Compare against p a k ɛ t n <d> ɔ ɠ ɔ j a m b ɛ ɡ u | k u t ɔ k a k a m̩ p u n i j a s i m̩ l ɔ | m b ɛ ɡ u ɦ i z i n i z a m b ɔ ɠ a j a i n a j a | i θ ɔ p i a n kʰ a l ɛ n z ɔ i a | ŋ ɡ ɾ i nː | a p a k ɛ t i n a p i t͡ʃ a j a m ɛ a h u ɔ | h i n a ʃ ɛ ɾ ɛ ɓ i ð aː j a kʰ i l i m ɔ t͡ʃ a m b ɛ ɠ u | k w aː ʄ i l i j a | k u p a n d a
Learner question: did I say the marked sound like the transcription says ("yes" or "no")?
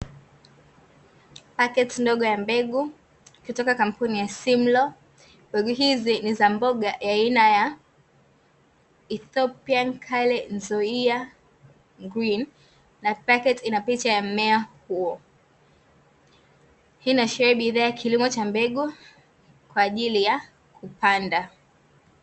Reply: yes